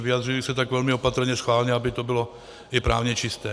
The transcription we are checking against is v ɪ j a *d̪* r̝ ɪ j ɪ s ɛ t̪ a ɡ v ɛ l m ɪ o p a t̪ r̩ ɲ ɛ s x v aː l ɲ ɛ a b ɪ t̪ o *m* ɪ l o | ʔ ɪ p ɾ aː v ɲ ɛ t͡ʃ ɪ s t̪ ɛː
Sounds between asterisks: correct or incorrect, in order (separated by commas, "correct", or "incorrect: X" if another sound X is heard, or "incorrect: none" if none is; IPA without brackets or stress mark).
correct, incorrect: b